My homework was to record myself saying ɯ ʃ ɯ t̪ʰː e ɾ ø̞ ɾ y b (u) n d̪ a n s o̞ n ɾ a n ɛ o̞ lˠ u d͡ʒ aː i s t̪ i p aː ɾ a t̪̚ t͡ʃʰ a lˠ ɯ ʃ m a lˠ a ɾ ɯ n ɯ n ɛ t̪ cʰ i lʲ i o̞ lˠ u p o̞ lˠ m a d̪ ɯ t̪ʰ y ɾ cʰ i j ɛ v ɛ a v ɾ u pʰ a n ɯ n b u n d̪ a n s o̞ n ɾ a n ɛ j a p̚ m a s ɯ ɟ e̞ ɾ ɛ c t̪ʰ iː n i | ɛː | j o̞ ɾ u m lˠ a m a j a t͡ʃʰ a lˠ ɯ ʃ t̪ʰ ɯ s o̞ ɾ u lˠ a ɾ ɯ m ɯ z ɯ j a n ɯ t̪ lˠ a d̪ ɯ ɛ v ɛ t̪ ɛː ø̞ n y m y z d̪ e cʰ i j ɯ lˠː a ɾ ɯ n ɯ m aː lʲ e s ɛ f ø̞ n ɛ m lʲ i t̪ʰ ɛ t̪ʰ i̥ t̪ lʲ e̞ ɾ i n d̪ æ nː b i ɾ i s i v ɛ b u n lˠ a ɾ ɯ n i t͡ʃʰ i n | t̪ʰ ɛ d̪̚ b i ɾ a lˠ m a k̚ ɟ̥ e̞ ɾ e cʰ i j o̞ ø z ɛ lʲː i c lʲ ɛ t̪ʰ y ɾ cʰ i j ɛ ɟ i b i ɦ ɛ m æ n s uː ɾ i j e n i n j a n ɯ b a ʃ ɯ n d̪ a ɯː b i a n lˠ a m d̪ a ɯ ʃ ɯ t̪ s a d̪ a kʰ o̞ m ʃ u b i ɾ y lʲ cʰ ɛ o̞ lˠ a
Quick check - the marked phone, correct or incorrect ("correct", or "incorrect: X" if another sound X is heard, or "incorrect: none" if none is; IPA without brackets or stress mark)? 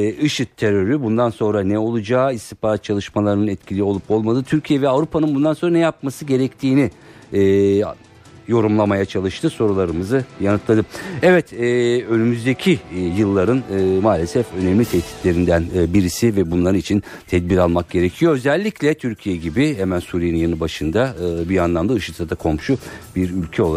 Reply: correct